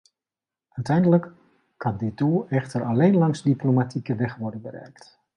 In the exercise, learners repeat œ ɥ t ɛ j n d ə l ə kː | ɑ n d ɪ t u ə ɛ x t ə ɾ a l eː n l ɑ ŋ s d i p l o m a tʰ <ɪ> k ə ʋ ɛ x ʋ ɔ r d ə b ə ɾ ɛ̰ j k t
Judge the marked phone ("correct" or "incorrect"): incorrect